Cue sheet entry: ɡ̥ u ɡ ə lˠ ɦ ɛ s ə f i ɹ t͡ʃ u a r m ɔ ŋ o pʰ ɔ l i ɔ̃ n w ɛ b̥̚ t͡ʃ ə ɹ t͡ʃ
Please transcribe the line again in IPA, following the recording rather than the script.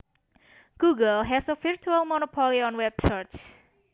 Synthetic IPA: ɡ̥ u ɡ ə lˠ ɦ ɛ s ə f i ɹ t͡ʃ u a l m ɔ n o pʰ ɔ l i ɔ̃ n w ɛ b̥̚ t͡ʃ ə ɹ t͡ʃ